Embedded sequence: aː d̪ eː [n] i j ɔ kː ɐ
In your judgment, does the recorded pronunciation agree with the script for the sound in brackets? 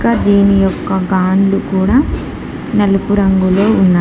yes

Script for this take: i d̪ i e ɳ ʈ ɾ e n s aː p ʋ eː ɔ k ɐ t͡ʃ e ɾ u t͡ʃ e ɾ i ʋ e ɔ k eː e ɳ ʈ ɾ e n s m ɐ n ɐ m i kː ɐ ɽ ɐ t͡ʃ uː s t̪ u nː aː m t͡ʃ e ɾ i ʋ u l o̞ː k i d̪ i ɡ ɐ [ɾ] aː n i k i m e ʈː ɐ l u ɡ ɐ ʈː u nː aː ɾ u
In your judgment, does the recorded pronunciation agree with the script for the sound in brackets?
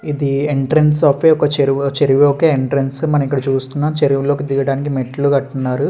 no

